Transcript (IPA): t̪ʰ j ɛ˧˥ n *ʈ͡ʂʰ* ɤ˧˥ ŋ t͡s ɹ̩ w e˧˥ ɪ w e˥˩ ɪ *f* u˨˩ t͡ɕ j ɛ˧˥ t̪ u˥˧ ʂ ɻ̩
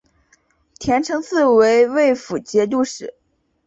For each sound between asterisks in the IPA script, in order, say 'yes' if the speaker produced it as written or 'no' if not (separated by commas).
yes, yes